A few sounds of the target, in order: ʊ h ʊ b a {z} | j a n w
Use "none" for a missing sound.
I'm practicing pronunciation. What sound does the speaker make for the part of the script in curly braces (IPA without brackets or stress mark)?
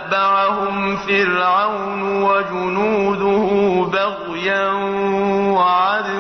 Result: ɣ